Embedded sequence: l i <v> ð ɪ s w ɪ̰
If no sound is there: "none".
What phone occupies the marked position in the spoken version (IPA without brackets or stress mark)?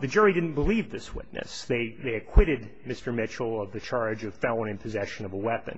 v